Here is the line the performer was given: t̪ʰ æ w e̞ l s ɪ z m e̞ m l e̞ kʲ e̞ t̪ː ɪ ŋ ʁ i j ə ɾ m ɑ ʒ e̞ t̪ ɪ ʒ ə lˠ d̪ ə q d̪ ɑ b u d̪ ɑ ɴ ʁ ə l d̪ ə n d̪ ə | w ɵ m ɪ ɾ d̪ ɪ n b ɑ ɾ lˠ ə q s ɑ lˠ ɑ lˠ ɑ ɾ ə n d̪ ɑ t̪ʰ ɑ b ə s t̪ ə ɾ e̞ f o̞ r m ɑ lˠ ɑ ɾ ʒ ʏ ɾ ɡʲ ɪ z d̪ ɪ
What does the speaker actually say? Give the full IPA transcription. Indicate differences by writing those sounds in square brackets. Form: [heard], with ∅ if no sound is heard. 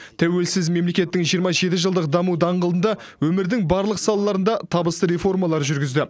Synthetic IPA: t̪ʰ æ w e̞ l s ɪ z m e̞ m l e̞ kʲ e̞ t̪ː ɪ ŋ [ʒ] i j ə ɾ m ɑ ʒ e̞ t̪ ɪ ʒ ə lˠ d̪ ə q d̪ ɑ [m] u d̪ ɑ ɴ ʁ ə l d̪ ə n d̪ [ɑ] | w ɵ m ɪ ɾ d̪ ɪ [ŋ] b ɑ ɾ lˠ ə q s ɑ lˠ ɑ lˠ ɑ ɾ ə n d̪ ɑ t̪ʰ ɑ b ə s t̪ ə ɾ e̞ f o̞ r m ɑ lˠ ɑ ɾ ʒ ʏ ɾ ɡʲ ɪ z d̪ ɪ